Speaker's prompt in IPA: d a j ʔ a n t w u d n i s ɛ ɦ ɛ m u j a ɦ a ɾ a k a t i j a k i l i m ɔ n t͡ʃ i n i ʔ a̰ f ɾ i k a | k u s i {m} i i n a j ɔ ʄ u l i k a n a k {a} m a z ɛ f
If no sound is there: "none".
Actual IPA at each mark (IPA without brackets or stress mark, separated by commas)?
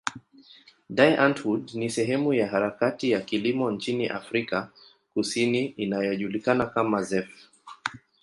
n, a